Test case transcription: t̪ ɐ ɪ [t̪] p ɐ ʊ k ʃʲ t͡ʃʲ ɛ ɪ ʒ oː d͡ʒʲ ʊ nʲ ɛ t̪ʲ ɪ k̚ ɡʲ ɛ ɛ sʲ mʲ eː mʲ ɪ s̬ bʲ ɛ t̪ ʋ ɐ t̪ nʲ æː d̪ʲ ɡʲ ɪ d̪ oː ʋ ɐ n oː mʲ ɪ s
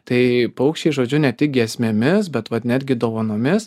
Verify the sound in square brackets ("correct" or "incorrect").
incorrect